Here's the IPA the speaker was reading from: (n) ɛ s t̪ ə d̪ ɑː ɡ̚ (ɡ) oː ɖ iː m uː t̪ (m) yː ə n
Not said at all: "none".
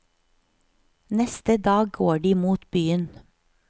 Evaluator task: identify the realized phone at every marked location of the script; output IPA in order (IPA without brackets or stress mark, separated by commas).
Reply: n, ɡ, b